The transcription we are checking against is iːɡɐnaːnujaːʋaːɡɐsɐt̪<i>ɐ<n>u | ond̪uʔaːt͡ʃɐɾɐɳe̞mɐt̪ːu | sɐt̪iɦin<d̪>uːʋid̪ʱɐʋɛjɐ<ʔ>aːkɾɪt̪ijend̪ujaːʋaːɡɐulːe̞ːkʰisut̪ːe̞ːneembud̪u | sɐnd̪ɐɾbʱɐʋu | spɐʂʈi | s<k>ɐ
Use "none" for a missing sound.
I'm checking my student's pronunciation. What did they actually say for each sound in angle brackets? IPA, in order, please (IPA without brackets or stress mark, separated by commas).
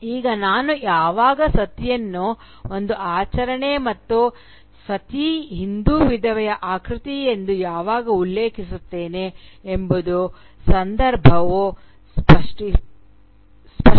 j, nː, d̪, ʔ, p